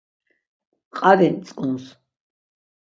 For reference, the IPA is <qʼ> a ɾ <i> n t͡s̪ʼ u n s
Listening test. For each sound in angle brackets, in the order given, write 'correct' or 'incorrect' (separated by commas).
correct, incorrect